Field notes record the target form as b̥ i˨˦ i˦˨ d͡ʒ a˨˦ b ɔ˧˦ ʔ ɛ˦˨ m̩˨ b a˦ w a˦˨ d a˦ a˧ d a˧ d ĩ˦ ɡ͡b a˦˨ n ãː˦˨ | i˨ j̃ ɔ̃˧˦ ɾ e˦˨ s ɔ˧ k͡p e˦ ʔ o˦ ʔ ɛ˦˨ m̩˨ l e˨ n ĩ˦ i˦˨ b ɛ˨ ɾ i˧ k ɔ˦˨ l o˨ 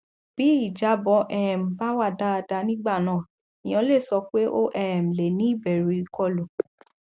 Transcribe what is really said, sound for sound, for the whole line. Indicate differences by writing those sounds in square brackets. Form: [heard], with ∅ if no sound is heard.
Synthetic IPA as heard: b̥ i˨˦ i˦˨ d͡ʒ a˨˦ b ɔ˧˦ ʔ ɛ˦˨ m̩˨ b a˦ w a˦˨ d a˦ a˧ d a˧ [n] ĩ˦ ɡ͡b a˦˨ n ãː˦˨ | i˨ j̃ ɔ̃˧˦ [l] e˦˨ s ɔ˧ k͡p e˦ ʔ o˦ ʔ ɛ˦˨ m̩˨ l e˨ n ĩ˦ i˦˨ b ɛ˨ ɾ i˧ k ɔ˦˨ l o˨